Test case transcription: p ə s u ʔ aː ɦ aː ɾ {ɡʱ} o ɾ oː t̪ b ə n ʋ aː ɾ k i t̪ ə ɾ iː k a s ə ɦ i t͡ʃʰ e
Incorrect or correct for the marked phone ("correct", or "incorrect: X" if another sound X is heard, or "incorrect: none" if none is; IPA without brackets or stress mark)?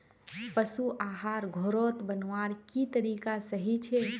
correct